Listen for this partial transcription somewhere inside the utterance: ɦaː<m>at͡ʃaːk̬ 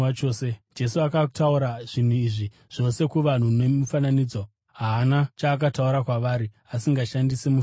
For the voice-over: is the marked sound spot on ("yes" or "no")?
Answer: no